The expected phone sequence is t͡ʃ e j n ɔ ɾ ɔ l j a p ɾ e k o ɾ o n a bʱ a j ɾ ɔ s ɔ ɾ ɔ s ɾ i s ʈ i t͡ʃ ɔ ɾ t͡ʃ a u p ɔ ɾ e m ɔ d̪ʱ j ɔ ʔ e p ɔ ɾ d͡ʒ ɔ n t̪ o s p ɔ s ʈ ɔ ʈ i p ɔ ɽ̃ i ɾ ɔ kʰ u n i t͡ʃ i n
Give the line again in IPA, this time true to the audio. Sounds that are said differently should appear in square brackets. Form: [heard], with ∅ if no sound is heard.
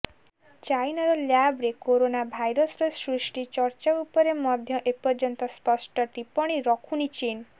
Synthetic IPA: t͡ʃ [a] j n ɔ ɾ ɔ l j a [b] ɾ e k o ɾ o n a bʱ a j ɾ ɔ s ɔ ɾ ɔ s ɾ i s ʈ i t͡ʃ ɔ ɾ t͡ʃ a u p ɔ ɾ e m ɔ d̪ʱ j ɔ ʔ e p ɔ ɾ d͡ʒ ɔ n t̪ [ɔ] s p ɔ s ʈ ɔ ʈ i p ɔ ɽ̃ i ɾ ɔ kʰ u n i t͡ʃ i n